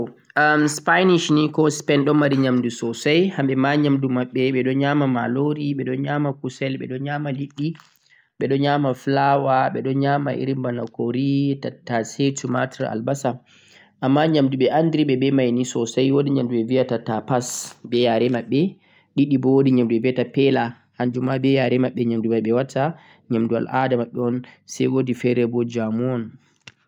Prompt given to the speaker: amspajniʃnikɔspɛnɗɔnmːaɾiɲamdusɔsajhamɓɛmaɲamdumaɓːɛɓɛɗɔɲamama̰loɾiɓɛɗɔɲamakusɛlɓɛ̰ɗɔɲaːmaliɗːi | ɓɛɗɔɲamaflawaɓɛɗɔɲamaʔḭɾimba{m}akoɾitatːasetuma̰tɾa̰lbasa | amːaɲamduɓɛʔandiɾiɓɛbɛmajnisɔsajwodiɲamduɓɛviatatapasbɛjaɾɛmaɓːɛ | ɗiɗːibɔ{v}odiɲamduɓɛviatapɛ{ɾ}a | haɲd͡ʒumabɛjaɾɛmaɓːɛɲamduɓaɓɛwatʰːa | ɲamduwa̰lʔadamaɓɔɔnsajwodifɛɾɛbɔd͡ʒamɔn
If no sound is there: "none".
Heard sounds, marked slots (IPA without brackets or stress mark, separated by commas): n, w, l